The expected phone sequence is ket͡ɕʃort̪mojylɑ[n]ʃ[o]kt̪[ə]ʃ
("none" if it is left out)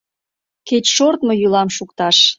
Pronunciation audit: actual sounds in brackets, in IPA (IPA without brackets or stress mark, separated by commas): m, u, ɑ